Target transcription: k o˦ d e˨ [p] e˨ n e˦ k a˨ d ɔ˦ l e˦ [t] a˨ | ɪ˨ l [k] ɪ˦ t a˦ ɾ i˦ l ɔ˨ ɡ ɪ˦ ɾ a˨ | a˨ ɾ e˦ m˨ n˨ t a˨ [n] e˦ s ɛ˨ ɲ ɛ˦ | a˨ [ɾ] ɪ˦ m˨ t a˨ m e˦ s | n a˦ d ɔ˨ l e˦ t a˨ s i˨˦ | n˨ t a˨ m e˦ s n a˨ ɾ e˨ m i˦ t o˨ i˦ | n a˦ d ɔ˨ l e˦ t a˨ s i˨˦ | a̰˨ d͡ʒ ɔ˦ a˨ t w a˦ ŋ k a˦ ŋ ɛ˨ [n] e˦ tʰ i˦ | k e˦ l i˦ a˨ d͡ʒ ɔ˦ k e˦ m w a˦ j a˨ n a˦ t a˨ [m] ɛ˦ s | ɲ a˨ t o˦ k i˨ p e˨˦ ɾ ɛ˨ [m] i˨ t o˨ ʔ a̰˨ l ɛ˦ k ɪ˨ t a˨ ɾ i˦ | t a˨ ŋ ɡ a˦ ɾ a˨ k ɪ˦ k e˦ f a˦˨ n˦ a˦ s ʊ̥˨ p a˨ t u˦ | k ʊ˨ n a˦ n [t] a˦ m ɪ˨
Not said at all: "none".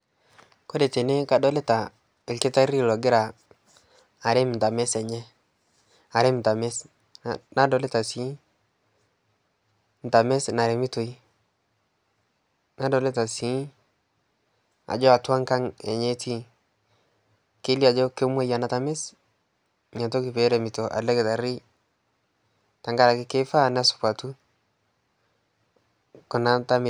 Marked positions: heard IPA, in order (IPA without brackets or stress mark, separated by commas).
t, t, k, m, ɾ, ɲ, m, m, t